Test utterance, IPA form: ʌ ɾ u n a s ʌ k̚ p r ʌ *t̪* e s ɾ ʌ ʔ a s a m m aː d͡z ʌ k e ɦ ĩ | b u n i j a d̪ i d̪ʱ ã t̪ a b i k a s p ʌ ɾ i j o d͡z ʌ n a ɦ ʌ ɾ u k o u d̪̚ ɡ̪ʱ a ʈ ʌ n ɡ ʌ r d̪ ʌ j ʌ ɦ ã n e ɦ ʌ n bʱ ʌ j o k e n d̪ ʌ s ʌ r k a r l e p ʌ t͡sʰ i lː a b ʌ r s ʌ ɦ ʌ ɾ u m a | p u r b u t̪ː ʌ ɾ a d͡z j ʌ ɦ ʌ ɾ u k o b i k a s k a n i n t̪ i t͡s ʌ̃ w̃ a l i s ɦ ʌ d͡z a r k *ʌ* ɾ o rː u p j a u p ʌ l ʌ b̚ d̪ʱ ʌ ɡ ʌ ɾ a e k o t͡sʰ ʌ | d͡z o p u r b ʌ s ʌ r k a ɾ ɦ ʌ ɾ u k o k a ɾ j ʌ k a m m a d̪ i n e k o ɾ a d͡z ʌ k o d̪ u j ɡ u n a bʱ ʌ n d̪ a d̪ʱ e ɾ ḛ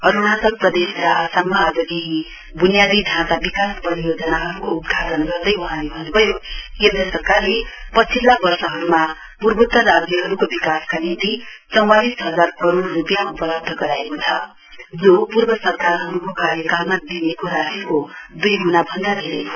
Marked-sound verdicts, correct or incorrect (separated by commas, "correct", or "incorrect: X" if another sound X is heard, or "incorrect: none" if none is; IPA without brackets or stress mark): incorrect: d̪, correct